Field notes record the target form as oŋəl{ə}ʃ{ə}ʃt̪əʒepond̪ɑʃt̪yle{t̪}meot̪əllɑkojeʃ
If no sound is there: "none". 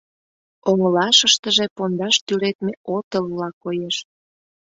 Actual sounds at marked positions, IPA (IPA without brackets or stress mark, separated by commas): ɑ, ə, t̪